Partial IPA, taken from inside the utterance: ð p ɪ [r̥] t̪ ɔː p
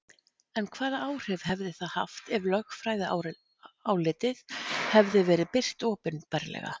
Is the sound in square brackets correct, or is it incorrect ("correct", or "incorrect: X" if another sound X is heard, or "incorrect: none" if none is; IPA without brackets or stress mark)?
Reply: correct